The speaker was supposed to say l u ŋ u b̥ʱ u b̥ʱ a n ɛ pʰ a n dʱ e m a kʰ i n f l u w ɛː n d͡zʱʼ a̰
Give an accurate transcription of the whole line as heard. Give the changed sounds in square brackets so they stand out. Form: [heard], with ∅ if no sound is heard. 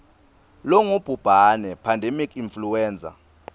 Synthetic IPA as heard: l [ɔ] ŋ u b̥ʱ u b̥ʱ a n ɛ pʰ a n dʱ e m [i] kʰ i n f l u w ɛː n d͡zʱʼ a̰